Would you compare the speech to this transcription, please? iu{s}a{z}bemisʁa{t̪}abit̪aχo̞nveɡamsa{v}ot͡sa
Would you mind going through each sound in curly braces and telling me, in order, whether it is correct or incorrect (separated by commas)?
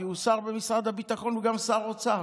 correct, incorrect, incorrect, incorrect